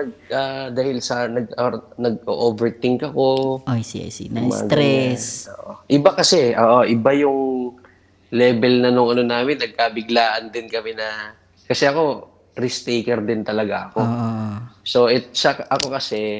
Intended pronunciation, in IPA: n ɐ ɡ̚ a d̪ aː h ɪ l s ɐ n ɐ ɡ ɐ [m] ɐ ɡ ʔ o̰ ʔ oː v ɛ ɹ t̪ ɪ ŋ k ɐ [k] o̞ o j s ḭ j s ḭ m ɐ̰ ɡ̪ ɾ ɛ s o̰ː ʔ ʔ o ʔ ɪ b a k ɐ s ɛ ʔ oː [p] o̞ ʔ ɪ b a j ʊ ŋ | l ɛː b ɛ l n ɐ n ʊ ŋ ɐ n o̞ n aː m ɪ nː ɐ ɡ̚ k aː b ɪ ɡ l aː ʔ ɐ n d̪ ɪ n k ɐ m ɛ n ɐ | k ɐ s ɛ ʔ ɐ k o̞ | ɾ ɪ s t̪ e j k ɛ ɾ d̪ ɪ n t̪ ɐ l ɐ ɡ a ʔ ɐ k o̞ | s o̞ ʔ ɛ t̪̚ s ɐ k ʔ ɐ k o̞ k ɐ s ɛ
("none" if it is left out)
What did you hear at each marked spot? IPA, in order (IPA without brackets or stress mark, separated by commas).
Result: n, k, ʔ